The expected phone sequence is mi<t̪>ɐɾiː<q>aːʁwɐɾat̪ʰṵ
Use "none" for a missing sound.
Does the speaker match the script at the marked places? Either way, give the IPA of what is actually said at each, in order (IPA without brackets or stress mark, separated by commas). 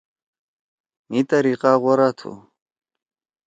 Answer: t̪, q